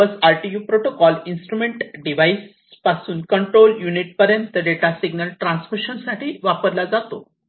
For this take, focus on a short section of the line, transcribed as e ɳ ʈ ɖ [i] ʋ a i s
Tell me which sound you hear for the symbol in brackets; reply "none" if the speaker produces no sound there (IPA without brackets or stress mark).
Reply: i